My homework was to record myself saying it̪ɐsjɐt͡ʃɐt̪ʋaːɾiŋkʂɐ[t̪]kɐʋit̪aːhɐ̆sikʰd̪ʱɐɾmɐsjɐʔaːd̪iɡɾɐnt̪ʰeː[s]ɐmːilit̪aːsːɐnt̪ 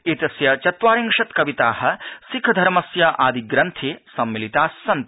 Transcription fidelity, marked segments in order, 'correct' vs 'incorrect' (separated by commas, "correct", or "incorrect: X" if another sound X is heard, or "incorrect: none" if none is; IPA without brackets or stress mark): correct, correct